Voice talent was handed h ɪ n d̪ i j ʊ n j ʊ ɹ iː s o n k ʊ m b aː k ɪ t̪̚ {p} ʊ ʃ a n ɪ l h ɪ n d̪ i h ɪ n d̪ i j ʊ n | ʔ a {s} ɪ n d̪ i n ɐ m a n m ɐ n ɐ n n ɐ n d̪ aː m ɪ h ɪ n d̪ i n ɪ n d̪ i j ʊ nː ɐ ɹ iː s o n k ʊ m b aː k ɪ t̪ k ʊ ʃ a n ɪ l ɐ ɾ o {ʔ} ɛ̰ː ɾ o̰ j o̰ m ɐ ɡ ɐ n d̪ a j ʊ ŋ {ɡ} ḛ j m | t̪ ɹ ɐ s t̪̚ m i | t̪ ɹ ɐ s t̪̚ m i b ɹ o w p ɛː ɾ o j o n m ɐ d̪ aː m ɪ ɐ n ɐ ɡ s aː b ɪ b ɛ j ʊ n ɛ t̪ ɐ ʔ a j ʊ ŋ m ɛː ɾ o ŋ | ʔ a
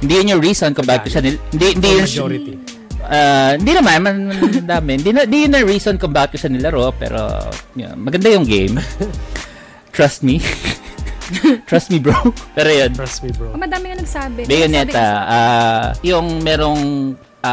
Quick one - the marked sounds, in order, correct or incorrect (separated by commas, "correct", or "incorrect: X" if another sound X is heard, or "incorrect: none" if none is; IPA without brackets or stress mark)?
incorrect: k, incorrect: h, incorrect: p, correct